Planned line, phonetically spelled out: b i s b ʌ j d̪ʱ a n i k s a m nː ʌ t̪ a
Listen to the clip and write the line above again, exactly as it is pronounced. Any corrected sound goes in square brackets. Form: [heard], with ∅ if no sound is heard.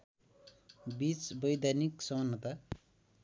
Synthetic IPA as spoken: b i [t͡s] b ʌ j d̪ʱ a n i k s [ʌ] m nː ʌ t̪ a